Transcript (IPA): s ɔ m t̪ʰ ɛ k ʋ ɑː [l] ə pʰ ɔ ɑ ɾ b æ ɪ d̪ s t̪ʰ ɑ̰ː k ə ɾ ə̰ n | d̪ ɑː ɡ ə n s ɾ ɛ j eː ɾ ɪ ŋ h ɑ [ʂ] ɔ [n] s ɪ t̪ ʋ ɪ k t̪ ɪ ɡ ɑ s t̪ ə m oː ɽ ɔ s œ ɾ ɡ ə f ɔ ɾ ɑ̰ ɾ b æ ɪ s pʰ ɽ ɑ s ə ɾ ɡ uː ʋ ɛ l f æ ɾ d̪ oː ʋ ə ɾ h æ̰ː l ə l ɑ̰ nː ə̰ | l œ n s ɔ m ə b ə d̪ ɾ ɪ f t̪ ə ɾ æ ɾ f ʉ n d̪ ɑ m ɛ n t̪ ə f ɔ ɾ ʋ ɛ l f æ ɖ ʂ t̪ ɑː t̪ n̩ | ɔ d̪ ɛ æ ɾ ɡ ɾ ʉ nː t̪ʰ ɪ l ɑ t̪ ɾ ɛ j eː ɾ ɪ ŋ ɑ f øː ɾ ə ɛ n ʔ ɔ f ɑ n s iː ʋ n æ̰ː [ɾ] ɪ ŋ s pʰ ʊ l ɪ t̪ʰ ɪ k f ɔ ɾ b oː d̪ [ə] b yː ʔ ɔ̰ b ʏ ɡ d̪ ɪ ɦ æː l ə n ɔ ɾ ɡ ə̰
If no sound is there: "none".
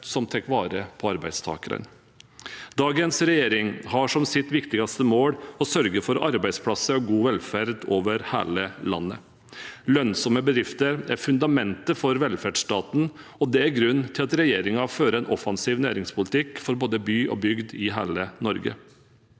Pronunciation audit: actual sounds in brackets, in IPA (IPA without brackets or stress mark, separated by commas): ɾ, ʂ, m, ɾ, ə